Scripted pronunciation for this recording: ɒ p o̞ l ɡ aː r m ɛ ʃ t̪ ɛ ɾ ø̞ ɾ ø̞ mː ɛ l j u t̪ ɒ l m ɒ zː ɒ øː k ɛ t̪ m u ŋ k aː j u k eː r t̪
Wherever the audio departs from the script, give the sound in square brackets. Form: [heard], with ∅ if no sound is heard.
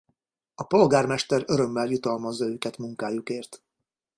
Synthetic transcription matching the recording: ɒ p o̞ l ɡ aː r m ɛ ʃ t̪ ɛ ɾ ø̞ ɾ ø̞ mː ɛ l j u t̪ ɒ l m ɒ zː ɒ øː k ɛ t̪ m u ŋ k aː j u k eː r t̪